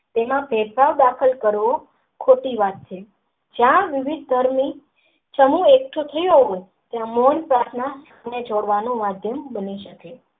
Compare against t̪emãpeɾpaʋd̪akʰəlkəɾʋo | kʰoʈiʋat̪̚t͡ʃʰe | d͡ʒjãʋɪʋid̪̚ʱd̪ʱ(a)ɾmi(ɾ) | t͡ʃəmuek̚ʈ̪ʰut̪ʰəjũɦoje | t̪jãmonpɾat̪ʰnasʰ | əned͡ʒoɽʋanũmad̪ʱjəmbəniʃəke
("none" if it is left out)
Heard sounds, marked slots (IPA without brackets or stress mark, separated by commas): ə, none